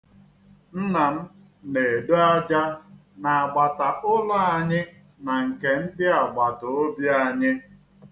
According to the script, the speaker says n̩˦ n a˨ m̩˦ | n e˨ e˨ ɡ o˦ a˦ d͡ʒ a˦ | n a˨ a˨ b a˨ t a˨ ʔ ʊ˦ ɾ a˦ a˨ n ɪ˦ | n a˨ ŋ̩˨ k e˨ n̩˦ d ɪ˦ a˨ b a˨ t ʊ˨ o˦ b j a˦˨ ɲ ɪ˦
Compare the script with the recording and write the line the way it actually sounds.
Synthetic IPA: n̩˦ n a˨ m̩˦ | n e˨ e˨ d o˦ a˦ d͡ʒ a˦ | n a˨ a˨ ɡ͡b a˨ t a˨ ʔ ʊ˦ l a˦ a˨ ɲ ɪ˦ | n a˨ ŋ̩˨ k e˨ n̩˦ d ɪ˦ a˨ ɡ͡b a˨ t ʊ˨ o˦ b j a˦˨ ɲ ɪ˦